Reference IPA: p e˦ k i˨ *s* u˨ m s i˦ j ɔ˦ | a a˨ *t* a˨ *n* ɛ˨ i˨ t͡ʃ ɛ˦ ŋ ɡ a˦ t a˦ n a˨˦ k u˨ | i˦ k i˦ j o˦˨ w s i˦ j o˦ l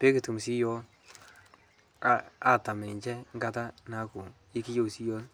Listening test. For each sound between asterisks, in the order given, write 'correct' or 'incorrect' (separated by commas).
incorrect, correct, incorrect